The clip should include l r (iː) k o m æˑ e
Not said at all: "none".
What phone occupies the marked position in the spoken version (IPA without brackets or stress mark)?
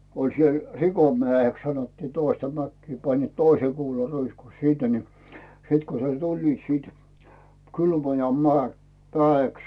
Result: i